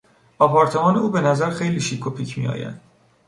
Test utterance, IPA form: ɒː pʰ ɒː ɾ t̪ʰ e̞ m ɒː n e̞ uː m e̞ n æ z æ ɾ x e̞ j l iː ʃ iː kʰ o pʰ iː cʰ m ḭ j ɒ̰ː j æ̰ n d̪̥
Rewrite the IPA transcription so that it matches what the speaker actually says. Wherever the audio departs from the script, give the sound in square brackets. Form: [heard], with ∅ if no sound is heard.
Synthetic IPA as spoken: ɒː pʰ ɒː ɾ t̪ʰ e̞ m ɒː n e̞ uː [b] e̞ n æ z æ ɾ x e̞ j l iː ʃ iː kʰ o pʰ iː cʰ m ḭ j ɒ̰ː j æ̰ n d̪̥